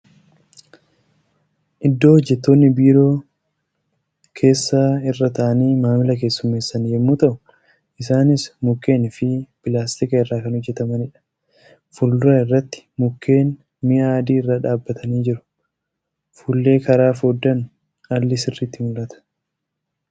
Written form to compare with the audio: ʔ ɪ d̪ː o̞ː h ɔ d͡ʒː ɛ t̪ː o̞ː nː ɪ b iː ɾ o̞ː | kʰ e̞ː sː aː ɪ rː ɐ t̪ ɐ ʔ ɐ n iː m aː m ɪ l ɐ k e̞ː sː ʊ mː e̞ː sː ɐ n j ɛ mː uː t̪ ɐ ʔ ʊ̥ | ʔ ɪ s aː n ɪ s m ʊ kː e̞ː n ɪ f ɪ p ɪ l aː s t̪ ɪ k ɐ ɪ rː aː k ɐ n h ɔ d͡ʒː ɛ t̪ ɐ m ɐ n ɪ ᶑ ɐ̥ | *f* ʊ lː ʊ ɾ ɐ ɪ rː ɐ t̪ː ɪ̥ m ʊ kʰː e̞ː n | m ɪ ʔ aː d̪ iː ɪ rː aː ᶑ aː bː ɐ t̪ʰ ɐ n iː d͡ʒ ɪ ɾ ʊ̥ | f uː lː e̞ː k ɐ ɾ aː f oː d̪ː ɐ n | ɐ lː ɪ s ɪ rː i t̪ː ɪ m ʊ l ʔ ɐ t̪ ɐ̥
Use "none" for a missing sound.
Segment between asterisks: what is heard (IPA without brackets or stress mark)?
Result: f